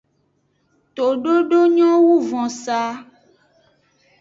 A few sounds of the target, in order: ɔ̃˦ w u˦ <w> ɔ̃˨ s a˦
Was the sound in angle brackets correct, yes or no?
no